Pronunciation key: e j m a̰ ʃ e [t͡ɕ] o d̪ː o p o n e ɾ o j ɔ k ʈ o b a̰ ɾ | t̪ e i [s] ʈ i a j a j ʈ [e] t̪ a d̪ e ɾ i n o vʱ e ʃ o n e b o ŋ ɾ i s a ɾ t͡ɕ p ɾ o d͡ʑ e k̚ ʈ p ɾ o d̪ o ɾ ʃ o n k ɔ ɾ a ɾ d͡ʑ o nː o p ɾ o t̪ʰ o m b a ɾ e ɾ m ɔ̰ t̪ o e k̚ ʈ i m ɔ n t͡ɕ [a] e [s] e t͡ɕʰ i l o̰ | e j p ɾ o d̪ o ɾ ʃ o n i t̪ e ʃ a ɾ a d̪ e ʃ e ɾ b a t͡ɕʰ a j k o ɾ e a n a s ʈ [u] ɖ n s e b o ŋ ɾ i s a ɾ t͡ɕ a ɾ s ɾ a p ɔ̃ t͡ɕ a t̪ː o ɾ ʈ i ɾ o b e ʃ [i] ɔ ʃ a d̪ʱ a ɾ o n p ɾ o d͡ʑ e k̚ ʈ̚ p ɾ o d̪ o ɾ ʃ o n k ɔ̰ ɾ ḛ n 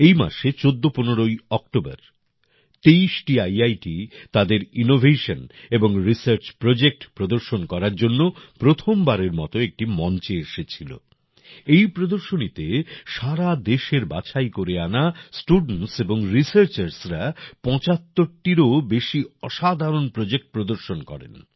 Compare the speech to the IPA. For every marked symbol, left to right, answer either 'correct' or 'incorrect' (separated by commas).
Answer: correct, incorrect, incorrect, incorrect, incorrect, correct, correct